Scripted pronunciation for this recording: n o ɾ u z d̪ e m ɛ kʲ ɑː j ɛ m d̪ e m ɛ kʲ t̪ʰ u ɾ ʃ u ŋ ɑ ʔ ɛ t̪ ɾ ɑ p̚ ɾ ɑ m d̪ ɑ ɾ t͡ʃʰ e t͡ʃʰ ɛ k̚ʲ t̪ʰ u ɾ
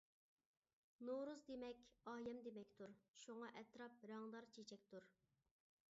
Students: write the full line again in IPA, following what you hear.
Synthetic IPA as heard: n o ɾ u z d̪ e m ɛ kʲ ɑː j ɛ m d̪ e m ɛ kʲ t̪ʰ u ɾ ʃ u ŋ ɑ ʔ ɛ t̪ ɾ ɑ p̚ ɾ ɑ ŋ d̪ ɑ ɾ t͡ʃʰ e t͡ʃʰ ɛ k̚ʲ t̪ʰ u ɾ